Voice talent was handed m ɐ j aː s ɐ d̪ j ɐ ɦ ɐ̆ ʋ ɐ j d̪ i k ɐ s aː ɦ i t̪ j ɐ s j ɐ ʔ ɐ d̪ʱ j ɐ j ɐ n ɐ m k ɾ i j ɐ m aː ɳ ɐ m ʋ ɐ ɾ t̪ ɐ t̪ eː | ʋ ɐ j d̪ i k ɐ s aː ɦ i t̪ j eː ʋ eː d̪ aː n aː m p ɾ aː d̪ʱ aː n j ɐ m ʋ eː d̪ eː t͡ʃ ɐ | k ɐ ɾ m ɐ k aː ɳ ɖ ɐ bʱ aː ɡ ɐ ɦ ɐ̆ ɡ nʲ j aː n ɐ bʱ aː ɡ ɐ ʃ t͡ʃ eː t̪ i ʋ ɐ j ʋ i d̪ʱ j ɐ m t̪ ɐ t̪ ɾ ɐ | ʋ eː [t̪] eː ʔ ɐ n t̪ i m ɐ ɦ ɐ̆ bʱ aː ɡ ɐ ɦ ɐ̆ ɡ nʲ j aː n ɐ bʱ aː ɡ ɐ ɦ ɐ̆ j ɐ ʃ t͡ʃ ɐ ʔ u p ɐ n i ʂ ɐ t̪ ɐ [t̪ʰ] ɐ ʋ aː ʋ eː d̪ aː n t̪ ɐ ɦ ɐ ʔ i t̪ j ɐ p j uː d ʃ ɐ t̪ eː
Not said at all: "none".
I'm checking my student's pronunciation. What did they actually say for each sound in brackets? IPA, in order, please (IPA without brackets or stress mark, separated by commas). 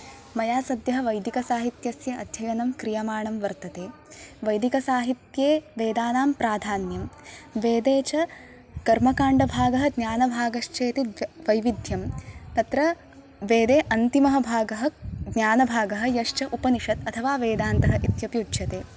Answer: d̪, t̪ʰ